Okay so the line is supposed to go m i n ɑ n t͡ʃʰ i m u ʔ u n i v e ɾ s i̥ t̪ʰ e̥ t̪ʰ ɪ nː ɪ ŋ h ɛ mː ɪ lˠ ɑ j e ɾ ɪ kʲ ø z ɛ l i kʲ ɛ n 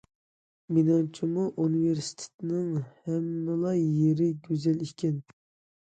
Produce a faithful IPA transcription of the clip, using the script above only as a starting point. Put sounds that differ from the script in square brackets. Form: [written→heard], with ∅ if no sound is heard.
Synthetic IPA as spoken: m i n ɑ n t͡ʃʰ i m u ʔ u n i v e ɾ s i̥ t̪ʰ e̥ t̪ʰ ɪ [nː→n] ɪ ŋ h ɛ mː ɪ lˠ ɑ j e ɾ ɪ [kʲ→ɡʲ] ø z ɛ l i kʲ ɛ n